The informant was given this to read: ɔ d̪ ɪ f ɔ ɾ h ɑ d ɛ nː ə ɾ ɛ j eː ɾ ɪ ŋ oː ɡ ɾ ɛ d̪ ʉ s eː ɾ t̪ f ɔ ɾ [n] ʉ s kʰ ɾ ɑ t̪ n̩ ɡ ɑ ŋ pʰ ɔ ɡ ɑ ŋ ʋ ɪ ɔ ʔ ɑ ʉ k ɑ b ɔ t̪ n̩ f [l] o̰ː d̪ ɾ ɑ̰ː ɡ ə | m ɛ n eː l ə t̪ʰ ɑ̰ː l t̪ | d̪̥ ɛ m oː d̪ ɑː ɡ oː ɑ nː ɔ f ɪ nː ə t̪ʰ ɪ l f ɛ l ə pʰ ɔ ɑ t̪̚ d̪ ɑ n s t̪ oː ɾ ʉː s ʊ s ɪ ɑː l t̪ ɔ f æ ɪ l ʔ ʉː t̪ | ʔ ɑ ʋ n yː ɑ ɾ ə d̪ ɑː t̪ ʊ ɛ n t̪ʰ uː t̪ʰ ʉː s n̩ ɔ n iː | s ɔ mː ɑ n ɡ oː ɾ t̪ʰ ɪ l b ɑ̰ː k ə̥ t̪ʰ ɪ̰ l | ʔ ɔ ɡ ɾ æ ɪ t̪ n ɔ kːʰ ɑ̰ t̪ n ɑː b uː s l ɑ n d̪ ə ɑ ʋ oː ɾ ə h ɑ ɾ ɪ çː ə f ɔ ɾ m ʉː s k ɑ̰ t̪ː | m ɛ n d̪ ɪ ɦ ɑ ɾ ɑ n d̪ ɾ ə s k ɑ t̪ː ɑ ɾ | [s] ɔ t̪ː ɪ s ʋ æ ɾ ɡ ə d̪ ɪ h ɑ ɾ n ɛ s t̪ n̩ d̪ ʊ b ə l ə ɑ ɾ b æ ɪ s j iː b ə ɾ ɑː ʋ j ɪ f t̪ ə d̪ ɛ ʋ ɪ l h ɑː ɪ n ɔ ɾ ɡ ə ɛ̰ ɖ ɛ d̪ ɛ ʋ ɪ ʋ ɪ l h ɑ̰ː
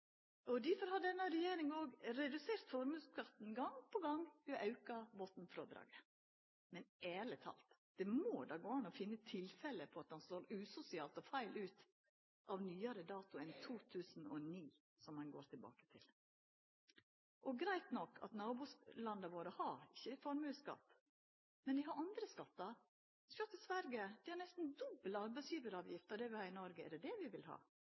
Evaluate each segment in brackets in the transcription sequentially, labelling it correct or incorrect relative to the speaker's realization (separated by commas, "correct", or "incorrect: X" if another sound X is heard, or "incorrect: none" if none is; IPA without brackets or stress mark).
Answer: incorrect: m, incorrect: ɾ, correct